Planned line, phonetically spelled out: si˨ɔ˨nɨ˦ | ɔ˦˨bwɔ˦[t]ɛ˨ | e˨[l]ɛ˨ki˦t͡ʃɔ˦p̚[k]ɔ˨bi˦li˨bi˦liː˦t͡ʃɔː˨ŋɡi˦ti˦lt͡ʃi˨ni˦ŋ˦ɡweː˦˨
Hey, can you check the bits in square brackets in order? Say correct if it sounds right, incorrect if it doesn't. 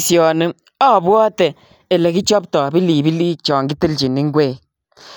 correct, correct, incorrect

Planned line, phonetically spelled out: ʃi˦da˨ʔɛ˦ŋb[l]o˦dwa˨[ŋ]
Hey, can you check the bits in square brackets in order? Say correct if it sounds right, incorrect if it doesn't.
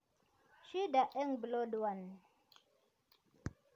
correct, incorrect

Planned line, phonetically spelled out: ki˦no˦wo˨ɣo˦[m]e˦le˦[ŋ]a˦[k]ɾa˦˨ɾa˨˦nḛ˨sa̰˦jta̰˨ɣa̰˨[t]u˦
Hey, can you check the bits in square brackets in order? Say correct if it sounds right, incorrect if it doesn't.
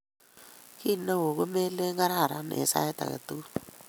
correct, correct, incorrect, correct

